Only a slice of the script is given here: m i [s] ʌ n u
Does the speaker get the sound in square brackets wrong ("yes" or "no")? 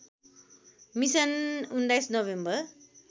no